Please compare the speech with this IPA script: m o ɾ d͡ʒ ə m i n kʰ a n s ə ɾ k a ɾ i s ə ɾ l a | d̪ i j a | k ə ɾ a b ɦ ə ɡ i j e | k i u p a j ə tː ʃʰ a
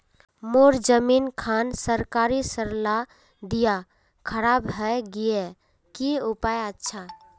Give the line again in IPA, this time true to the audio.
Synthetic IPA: m o ɾ d͡ʒ ə m i n kʰ a n s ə ɾ k a ɾ i s ə ɾ l a | d̪ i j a | kʰ ə ɾ a b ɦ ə ɡ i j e | k i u p a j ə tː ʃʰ a